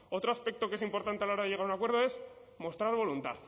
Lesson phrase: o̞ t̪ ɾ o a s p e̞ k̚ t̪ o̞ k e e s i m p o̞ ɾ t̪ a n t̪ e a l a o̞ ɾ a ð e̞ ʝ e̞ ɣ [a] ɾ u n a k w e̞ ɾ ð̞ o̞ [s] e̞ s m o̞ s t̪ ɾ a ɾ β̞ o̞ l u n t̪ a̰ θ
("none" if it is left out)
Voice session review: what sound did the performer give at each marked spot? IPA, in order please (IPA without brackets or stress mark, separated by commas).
a, none